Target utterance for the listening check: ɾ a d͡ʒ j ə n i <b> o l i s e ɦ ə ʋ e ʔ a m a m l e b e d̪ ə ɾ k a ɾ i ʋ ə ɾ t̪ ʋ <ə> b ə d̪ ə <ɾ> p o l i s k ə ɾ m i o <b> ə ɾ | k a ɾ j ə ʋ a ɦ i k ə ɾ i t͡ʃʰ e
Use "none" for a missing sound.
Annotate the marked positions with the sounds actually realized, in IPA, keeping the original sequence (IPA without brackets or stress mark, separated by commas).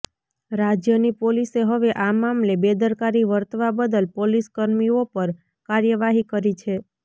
p, a, l, p